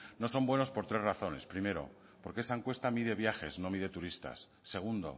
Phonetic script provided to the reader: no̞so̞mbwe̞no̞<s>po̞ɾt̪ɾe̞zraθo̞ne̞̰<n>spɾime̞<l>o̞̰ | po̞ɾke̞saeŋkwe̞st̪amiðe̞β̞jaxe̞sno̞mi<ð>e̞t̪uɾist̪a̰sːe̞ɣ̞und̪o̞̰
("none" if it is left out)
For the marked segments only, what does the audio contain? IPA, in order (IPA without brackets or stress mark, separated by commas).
s, none, ɾ, ð